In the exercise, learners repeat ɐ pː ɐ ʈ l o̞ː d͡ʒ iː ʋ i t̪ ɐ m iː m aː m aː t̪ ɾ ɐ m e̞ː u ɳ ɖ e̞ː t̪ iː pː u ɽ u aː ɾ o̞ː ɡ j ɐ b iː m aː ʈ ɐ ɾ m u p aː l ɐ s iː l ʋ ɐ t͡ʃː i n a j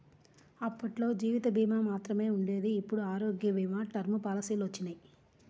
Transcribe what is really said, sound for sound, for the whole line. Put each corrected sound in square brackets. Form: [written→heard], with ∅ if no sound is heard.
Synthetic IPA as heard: ɐ pː ɐ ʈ l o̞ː d͡ʒ iː ʋ i t̪ ɐ [m→b] iː m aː m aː t̪ ɾ ɐ m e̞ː u ɳ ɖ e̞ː [t̪→d̪] iː pː u ɽ u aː ɾ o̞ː ɡ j ɐ b iː m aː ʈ ɐ ɾ m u p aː l ɐ s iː l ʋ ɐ t͡ʃː i n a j

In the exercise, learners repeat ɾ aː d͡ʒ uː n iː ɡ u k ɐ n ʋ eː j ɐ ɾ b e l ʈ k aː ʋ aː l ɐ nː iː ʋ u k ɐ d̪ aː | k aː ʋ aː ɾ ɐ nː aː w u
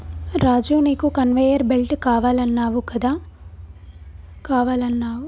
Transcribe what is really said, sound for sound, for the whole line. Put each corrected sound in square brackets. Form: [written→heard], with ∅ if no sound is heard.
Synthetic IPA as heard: ɾ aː d͡ʒ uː n iː [ɡ→k] u k ɐ n ʋ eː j ɐ ɾ b e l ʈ k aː ʋ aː l ɐ nː [iː→aː] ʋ u k ɐ d̪ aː | k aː ʋ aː [ɾ→l] ɐ nː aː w u

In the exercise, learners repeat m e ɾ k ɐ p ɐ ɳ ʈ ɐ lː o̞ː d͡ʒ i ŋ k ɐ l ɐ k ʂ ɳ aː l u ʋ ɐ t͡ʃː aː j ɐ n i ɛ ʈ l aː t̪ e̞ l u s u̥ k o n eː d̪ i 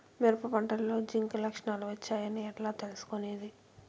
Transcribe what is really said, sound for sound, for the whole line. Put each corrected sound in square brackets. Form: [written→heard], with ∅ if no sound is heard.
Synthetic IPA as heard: m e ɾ [k→p] ɐ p ɐ ɳ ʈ ɐ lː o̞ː d͡ʒ i ŋ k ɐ l ɐ k ʂ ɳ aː l u ʋ ɐ t͡ʃː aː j ɐ n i ɛ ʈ l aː t̪ e̞ l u s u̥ k o n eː d̪ i

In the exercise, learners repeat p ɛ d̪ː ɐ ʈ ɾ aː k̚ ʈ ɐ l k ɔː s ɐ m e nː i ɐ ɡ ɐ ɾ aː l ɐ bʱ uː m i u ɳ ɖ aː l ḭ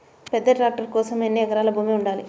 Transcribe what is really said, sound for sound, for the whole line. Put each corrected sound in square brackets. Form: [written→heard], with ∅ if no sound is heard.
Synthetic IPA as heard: p ɛ d̪ː ɐ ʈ ɾ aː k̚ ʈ ɐ [l→ɾ] k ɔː s ɐ m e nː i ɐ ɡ ɐ ɾ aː l ɐ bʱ uː m i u ɳ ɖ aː l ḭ

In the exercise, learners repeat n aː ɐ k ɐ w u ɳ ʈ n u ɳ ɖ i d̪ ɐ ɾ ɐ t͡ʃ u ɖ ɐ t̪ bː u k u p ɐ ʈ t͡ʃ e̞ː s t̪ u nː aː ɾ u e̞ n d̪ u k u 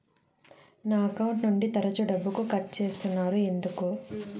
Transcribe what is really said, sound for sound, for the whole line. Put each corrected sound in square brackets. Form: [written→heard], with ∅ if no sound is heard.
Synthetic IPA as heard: n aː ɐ k ɐ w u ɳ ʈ n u ɳ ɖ i [d̪→t̪] ɐ ɾ ɐ t͡ʃ u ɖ ɐ [t̪→∅] bː u k u [p→k] ɐ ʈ t͡ʃ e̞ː s t̪ u nː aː ɾ u e̞ n d̪ u k u

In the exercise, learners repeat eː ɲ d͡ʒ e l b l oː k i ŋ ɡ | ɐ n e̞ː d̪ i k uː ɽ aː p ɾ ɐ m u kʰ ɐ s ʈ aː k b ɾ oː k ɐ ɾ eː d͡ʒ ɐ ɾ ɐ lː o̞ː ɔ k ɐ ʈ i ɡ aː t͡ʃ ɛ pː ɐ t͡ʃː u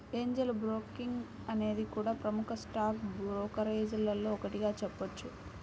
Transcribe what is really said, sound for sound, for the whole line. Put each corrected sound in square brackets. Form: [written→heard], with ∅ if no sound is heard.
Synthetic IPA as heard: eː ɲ d͡ʒ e l b [l→ɾ] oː k i ŋ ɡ | ɐ n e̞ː d̪ i k uː ɽ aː p ɾ ɐ m u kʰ ɐ s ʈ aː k b ɾ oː k ɐ ɾ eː d͡ʒ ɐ [ɾ→l] ɐ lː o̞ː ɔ k ɐ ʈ i ɡ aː t͡ʃ ɛ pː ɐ t͡ʃː u

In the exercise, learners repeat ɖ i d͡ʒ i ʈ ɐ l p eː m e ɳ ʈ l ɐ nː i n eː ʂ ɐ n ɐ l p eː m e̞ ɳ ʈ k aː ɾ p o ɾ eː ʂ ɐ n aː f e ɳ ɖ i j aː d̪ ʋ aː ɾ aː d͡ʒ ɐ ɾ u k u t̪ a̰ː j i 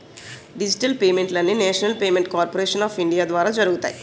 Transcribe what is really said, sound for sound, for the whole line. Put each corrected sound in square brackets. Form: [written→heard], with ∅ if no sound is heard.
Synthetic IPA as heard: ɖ i d͡ʒ i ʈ ɐ l p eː m e ɳ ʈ l ɐ nː i n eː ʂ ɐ n ɐ l p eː m e̞ ɳ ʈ k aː ɾ p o ɾ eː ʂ ɐ n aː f [e→i] ɳ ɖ i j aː d̪ ʋ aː ɾ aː d͡ʒ ɐ ɾ u [k→ɡ] u t̪ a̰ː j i

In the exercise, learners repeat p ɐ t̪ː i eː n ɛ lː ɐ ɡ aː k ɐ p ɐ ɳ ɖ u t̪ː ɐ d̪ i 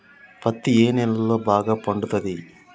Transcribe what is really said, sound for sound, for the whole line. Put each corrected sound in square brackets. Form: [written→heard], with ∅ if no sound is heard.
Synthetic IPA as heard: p ɐ t̪ː i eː n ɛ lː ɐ [ɡ→b] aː [k→ɡ] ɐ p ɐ ɳ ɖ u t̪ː ɐ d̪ i

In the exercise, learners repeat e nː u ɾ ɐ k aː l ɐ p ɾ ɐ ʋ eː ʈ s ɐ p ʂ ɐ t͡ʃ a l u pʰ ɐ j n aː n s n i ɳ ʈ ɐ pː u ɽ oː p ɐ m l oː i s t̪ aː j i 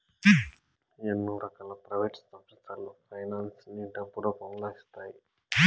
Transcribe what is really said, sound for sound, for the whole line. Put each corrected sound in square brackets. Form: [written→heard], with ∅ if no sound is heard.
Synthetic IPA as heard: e nː u ɾ ɐ k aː l ɐ p ɾ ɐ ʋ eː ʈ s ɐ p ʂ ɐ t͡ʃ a l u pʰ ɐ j n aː n s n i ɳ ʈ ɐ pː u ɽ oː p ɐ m l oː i s t̪ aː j i

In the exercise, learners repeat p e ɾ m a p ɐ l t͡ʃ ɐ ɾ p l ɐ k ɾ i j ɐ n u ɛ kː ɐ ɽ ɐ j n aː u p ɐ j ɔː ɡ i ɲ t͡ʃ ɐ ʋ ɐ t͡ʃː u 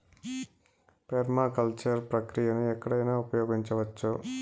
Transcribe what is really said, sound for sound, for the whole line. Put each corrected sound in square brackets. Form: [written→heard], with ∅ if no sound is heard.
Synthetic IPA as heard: p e ɾ m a [p→k] ɐ l t͡ʃ ɐ ɾ p [l→ɾ] ɐ k ɾ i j ɐ n u ɛ kː ɐ ɽ ɐ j n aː u p ɐ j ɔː ɡ i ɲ t͡ʃ ɐ ʋ ɐ t͡ʃː u

